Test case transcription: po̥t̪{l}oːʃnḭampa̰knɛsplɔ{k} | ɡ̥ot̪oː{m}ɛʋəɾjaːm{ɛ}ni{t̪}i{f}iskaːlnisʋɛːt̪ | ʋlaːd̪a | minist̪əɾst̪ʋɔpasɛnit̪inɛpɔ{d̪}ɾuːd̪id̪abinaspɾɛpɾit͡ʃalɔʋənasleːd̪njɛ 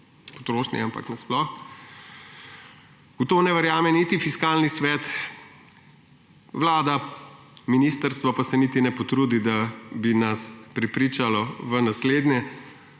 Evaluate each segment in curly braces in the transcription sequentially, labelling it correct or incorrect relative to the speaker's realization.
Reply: incorrect: ɾ, incorrect: x, incorrect: n, correct, correct, correct, incorrect: t̪

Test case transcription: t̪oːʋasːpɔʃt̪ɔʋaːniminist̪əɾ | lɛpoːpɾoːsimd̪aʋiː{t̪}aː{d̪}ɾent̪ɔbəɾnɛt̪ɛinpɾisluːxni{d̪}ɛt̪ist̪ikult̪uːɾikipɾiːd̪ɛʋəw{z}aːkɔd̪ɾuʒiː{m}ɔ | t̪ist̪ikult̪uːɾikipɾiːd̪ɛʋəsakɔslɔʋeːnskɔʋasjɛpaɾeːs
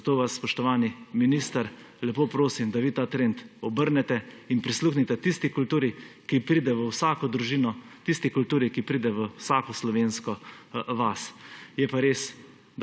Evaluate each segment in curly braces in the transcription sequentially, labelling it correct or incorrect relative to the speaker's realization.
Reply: correct, incorrect: t̪, incorrect: t̪, incorrect: s, incorrect: n

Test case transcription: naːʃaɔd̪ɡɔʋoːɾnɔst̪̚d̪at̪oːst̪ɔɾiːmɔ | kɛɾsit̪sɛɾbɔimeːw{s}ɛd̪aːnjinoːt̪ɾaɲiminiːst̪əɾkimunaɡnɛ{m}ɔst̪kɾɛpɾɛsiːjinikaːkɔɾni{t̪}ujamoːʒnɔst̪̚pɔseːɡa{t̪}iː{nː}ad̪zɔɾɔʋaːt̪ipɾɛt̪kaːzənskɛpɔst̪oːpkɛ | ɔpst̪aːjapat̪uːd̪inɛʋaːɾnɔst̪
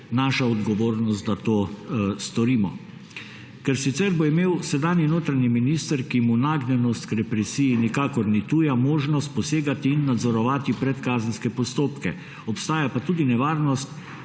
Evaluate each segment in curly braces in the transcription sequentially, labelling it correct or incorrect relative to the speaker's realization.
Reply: correct, incorrect: n, correct, correct, correct

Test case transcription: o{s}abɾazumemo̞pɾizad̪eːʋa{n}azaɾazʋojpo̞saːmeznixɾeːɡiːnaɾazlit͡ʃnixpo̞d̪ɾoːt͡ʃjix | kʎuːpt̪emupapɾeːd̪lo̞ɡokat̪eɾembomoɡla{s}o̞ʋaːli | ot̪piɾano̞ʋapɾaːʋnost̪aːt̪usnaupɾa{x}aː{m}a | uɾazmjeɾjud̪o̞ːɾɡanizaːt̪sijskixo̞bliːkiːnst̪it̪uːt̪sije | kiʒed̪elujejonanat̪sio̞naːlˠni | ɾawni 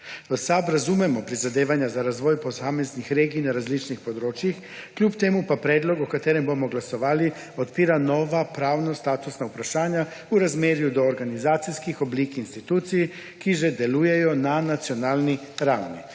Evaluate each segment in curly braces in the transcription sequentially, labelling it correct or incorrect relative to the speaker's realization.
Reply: correct, incorrect: ɲ, correct, incorrect: ʃ, incorrect: ɲ

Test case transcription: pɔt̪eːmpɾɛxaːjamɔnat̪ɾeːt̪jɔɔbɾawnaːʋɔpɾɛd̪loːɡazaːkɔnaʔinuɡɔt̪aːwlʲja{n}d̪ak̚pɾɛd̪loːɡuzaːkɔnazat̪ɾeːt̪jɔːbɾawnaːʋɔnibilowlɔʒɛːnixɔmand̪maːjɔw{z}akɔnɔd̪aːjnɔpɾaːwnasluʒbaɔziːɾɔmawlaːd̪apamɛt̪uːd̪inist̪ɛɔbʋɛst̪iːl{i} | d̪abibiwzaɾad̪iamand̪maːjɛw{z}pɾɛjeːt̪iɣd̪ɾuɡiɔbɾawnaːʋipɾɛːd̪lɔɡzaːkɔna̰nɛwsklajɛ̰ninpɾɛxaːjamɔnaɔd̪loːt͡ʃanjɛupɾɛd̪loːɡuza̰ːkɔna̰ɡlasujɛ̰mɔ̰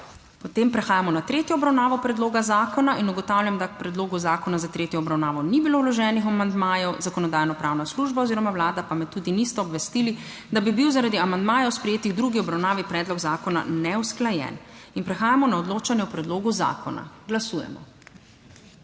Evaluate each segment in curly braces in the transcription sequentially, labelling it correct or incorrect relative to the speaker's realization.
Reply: incorrect: m, correct, correct, incorrect: s

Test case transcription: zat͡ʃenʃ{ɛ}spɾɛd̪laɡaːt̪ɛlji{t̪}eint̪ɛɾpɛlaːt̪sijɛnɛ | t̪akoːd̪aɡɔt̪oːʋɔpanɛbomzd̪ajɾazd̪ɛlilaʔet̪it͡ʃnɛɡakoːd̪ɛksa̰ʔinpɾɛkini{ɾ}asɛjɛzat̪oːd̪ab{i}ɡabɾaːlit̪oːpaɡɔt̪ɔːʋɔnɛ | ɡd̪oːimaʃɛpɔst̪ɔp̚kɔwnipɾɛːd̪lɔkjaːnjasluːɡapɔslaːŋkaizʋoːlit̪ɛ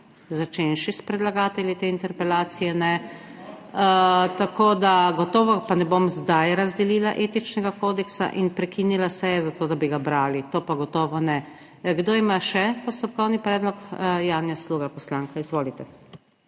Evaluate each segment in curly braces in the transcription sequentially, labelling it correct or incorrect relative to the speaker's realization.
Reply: incorrect: i, correct, incorrect: l, correct

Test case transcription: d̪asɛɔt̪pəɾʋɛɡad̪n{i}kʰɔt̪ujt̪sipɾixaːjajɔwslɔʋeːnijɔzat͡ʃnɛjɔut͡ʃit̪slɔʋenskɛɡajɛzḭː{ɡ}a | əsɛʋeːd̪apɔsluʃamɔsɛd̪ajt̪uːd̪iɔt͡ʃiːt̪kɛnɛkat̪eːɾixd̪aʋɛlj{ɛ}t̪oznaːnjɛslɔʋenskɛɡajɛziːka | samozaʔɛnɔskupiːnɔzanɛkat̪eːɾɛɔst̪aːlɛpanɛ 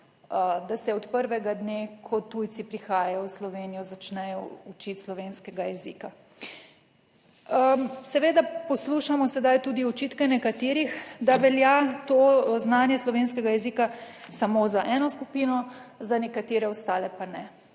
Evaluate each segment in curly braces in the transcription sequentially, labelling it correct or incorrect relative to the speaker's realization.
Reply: incorrect: e, incorrect: k, incorrect: a

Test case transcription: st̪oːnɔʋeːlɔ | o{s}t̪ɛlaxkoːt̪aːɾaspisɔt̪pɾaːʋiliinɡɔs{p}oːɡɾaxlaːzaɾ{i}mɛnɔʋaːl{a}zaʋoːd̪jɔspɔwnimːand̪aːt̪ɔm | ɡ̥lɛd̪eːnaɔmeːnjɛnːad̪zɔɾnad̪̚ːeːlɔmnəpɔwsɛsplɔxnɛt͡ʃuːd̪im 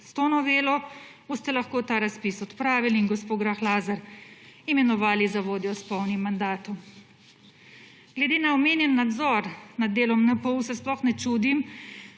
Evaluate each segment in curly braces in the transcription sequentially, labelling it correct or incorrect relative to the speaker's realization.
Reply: correct, correct, correct, incorrect: i

